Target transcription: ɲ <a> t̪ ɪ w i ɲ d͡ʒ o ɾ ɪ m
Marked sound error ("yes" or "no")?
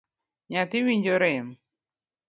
no